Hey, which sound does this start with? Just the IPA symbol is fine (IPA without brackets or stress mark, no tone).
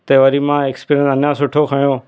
t̪